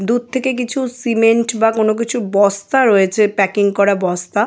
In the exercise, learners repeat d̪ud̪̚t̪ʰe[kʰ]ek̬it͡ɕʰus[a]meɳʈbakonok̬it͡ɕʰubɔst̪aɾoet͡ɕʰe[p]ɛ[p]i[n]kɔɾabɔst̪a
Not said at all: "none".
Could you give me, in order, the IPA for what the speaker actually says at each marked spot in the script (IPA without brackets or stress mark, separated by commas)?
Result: k, i, p, k, ŋ